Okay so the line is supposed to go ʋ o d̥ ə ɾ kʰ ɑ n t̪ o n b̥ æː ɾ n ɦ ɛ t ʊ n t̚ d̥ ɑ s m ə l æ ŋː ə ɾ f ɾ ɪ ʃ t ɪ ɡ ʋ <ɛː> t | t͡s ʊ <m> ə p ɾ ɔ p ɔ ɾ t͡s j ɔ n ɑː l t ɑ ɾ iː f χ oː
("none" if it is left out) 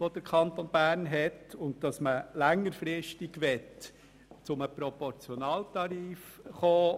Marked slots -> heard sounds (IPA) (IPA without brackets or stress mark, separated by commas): ɛ, m